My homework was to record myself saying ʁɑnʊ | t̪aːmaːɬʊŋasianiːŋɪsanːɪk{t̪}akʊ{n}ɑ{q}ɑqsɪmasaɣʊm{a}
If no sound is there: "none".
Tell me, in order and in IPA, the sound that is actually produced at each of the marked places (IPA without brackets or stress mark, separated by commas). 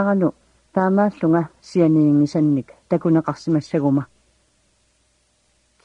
t̪, n, q, a